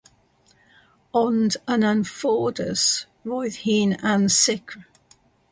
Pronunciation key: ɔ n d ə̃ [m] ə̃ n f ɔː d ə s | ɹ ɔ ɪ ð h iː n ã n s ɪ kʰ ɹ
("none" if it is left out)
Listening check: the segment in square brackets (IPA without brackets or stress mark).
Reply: n